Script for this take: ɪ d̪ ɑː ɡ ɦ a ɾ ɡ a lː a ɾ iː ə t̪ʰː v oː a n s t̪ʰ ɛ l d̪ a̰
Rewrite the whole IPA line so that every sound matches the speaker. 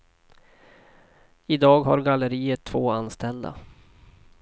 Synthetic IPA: ɪ d̪ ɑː ɡ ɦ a ɾ ɡ a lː ə ɾ iː ə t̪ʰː v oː a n s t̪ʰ ɛ l d̪ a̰